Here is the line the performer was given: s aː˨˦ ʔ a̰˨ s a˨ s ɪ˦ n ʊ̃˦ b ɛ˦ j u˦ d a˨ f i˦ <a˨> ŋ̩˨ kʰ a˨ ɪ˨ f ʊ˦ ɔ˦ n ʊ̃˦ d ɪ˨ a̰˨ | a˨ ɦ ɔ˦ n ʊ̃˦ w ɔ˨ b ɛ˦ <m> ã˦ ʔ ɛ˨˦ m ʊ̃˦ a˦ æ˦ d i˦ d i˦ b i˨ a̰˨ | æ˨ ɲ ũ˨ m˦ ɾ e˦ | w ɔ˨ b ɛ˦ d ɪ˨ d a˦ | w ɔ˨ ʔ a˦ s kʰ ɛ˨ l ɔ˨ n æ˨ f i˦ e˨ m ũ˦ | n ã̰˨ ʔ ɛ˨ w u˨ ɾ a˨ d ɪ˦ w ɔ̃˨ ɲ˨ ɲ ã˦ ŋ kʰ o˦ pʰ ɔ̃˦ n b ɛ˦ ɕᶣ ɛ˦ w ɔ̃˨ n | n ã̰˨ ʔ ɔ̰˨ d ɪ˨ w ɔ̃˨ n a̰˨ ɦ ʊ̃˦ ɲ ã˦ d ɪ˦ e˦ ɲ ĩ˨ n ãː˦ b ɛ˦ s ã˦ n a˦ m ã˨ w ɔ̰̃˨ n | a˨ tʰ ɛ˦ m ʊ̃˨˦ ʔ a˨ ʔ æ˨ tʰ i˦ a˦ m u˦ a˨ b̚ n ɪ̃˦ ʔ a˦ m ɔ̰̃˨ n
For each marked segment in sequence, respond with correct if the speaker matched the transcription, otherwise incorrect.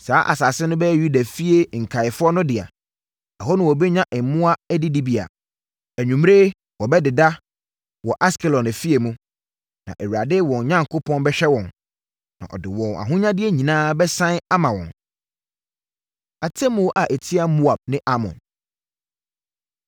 incorrect: e˨, incorrect: ɲ

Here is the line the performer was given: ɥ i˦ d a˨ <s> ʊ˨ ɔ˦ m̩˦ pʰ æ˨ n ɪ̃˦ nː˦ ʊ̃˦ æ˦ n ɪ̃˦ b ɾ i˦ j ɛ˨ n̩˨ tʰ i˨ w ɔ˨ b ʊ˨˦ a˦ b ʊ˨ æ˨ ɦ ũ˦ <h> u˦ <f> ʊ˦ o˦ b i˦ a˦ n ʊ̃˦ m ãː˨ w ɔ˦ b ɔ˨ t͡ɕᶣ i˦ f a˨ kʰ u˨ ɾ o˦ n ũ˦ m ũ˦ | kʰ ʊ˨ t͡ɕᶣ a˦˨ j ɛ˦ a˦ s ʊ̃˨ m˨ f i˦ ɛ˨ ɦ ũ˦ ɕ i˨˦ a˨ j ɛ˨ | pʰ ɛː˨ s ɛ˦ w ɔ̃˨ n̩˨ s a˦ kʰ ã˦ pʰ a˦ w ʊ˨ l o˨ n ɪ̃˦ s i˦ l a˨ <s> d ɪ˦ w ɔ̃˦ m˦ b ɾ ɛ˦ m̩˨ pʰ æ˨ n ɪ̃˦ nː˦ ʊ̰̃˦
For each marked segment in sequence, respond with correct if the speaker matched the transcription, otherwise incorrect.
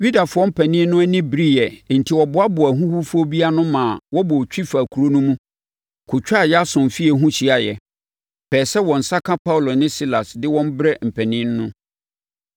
incorrect: f, correct, correct, correct

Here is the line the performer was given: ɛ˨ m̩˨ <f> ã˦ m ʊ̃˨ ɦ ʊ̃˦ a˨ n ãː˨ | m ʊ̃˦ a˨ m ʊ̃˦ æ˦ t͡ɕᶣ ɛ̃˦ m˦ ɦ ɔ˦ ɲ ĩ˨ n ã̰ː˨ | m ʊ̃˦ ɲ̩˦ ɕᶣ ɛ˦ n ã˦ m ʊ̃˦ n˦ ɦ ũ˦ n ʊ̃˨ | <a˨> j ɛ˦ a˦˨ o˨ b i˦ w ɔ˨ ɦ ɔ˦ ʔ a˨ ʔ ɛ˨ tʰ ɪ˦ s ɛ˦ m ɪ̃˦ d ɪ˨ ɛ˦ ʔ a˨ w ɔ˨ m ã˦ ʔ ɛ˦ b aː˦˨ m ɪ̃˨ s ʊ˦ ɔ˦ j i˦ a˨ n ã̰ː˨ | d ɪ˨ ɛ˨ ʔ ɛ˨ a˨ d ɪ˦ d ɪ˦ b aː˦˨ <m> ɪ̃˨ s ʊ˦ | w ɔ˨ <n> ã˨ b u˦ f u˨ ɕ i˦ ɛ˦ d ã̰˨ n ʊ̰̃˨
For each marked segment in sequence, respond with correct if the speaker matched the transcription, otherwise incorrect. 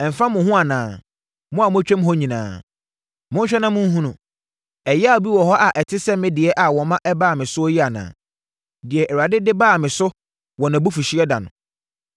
correct, incorrect: ɛ˨, correct, correct

